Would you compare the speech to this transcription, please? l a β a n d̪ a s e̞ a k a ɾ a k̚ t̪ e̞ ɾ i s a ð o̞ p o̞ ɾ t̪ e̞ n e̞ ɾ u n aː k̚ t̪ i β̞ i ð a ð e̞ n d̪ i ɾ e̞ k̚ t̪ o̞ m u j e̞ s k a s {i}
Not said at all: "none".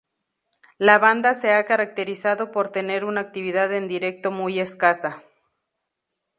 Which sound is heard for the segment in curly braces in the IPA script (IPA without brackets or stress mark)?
a